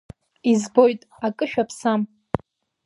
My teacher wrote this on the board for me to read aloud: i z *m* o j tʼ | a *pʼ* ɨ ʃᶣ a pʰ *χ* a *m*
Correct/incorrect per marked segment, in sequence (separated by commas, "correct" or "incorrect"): incorrect, incorrect, incorrect, correct